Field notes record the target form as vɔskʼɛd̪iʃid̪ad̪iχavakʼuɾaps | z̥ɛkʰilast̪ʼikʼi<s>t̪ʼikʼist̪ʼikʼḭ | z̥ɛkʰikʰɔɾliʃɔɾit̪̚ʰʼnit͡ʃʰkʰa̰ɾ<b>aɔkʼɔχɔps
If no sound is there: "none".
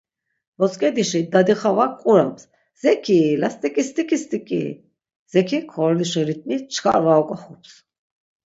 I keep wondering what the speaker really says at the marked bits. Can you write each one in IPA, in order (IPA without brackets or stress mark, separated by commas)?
s, v